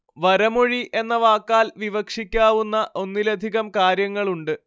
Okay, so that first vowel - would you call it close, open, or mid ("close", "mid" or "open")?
open